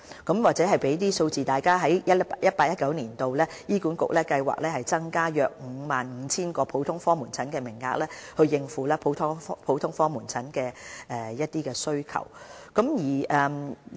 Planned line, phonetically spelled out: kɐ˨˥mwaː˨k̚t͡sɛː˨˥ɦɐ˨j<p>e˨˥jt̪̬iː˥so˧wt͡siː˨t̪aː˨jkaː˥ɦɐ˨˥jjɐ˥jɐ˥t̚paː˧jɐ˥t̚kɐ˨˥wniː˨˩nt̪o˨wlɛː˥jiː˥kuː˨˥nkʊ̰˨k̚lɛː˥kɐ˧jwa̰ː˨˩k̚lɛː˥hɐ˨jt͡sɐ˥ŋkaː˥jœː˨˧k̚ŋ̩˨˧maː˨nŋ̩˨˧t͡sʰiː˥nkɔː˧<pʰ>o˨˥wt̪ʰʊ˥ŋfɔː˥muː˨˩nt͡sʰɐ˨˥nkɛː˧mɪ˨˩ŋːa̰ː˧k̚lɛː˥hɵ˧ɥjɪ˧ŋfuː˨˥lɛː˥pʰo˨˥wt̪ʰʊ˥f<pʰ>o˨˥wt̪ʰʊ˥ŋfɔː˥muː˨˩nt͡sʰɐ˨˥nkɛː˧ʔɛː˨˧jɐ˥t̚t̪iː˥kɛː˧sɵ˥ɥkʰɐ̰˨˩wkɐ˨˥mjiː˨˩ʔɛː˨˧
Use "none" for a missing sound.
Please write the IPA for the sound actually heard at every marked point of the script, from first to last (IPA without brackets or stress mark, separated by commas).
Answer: p, pʰ, pʰ